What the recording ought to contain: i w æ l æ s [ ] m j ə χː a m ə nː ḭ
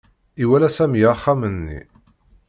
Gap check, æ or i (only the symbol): æ